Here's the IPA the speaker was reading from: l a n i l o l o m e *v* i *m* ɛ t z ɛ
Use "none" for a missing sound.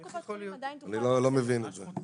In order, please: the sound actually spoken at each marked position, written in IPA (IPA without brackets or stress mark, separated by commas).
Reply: v, n